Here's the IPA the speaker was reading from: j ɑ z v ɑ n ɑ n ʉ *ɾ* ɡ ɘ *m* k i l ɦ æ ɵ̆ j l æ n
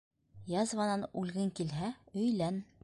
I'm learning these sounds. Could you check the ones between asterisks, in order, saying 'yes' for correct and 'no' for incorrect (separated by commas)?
no, no